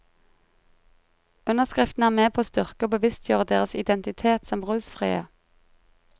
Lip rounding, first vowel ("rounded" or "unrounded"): rounded